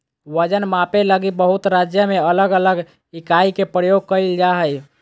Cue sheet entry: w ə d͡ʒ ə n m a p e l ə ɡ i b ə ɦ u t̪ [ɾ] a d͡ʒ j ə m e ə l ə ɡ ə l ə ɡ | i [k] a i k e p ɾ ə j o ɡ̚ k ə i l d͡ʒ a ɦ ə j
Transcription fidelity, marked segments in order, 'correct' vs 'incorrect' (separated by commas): correct, correct